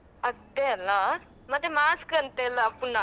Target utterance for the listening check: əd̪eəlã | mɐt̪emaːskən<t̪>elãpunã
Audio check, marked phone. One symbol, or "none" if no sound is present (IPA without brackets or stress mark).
t̪